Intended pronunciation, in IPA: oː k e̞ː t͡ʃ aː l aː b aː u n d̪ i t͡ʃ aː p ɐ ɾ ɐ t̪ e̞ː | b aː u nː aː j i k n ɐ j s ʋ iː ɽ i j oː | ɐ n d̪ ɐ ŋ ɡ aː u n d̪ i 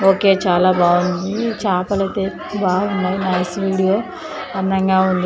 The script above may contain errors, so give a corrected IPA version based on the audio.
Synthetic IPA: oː k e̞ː t͡ʃ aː l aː b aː u n d̪ i t͡ʃ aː p ɐ l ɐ t̪ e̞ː | b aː u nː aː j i n ɐ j s ʋ iː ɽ i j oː | ɐ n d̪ ɐ ŋ ɡ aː u n d̪ i